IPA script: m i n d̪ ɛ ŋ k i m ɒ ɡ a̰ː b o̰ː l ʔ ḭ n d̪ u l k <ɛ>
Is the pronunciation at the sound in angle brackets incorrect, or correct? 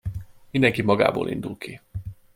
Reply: incorrect: i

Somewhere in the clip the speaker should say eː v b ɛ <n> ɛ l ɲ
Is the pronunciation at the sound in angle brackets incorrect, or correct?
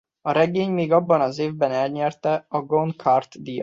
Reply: correct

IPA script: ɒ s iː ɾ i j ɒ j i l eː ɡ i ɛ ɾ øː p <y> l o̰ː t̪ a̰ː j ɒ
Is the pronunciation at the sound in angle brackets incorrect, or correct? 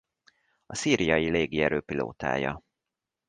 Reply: incorrect: i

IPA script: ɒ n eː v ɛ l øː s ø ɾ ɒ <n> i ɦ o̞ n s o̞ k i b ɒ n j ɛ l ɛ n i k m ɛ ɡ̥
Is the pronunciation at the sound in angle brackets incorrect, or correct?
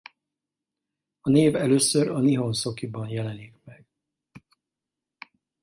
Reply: correct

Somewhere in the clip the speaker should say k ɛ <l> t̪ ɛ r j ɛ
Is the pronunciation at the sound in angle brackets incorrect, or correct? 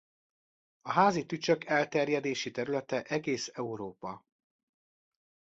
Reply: correct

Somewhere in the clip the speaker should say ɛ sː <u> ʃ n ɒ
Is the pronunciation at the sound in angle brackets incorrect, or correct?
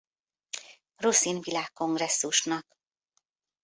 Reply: correct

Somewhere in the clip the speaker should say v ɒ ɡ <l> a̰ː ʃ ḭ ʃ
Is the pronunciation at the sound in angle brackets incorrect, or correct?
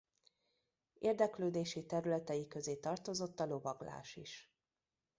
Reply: correct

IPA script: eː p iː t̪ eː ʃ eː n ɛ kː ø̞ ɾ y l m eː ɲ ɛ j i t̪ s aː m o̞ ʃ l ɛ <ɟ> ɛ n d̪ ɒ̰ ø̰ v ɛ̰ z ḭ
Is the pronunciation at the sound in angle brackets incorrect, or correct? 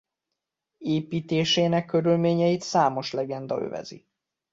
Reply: incorrect: ɡ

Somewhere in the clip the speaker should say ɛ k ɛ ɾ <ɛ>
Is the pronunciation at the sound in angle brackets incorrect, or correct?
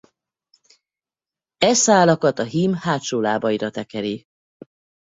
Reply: incorrect: i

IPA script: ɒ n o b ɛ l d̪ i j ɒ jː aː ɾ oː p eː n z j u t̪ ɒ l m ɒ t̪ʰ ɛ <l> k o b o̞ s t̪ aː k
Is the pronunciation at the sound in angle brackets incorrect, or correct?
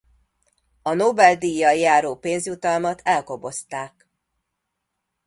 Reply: correct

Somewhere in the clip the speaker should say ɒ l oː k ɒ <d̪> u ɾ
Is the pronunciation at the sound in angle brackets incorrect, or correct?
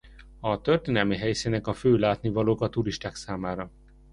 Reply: incorrect: t̪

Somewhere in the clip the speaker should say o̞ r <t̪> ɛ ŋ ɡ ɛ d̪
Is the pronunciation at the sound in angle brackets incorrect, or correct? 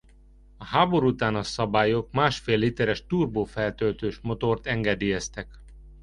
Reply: correct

